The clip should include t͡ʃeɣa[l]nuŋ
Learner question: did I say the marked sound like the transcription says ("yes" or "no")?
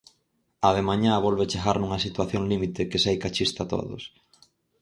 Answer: no